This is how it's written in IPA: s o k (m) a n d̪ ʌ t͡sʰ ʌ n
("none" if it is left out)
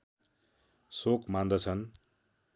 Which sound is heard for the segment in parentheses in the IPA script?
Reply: m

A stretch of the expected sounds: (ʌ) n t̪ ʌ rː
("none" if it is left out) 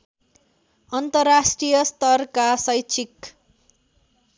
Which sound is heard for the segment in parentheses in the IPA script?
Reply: ʌ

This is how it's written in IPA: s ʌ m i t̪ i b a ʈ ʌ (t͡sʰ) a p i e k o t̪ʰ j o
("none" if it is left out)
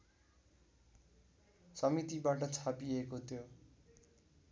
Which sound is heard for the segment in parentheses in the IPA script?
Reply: t͡sʰ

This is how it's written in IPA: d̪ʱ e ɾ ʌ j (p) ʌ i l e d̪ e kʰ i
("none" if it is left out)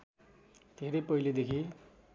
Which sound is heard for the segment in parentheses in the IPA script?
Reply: p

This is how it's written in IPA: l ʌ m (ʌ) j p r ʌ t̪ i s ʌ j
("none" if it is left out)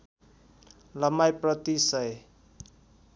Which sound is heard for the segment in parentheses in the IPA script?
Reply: a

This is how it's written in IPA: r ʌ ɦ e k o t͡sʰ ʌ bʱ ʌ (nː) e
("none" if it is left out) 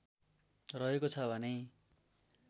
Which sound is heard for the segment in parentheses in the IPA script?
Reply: n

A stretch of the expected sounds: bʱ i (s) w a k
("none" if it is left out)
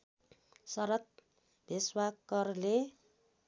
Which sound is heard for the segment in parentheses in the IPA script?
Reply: s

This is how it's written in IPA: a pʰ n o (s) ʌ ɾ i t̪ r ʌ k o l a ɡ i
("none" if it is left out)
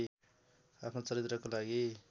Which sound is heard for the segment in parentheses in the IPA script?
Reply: t͡s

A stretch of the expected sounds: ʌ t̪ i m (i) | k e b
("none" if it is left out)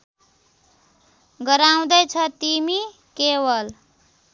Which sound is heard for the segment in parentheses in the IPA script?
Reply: i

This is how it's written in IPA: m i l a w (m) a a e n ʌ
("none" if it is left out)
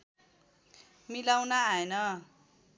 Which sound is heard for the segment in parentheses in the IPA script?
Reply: n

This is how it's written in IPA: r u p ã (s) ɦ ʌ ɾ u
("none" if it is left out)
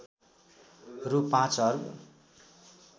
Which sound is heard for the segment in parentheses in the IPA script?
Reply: t͡s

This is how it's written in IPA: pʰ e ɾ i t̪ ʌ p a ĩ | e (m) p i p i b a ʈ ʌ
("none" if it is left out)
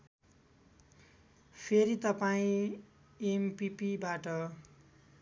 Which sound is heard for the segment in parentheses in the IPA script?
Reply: m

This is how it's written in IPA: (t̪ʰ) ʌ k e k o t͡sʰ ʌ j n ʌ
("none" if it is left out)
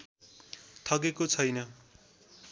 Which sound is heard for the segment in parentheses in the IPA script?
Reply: t̪ʰ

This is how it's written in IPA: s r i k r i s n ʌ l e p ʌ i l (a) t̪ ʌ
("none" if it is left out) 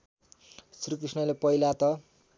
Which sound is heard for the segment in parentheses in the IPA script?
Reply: a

